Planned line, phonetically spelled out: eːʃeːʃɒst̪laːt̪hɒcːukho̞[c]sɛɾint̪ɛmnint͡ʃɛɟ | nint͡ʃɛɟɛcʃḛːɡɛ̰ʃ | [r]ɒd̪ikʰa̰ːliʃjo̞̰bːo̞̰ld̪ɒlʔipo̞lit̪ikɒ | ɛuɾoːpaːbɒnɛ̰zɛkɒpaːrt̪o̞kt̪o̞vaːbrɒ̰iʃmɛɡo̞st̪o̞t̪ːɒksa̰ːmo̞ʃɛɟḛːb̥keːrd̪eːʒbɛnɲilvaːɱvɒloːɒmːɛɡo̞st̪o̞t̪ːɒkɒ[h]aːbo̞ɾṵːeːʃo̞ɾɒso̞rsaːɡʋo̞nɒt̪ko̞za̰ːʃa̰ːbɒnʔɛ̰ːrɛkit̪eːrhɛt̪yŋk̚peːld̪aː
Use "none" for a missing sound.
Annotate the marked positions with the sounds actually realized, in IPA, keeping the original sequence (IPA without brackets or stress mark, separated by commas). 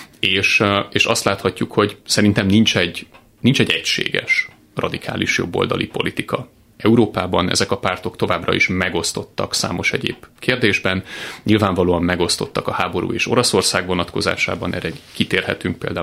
ɟ, r, h